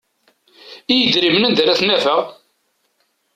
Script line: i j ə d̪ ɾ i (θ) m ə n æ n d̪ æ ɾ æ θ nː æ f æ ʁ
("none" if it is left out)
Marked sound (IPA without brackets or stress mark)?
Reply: none